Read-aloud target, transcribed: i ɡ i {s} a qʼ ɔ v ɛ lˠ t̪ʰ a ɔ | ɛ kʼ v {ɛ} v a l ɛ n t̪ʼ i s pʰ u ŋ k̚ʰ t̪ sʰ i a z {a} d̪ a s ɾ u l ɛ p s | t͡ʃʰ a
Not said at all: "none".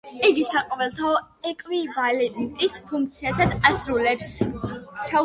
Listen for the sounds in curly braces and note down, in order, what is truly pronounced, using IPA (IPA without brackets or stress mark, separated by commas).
s, i, a